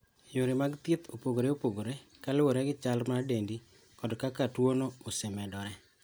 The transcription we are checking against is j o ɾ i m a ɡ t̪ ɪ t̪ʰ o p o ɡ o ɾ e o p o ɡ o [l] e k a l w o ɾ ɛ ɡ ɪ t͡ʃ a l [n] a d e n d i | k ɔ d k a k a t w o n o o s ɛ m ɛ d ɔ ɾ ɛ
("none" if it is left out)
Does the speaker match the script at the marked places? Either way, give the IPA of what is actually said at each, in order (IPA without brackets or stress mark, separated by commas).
ɾ, m